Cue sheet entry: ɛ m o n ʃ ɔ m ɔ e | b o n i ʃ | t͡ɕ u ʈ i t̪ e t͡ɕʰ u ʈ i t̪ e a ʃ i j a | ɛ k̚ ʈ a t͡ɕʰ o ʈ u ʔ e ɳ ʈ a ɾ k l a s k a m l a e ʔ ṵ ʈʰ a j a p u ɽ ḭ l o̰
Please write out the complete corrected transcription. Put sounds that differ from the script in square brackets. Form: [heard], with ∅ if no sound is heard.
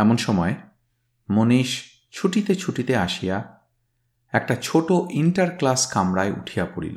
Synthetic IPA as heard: ɛ m o n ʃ ɔ m ɔ e | [m] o n i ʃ | [t͡ɕʰ] u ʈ i t̪ e t͡ɕʰ u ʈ i t̪ e a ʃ i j a | ɛ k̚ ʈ a t͡ɕʰ o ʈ [o] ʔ [i] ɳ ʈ a ɾ k l a s k a m [ɾ] a e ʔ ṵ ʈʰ [i] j a p [o] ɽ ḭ l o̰